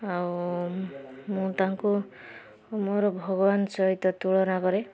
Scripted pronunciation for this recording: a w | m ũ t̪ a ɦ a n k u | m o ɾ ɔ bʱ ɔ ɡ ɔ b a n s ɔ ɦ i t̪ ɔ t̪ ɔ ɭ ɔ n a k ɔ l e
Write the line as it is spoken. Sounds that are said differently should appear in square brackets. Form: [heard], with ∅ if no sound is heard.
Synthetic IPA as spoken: a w | m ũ t̪ a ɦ a [ŋ] k u | m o ɾ ɔ bʱ ɔ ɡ ɔ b a n s ɔ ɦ i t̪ ɔ t̪ [u] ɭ ɔ n a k ɔ [ɾ] e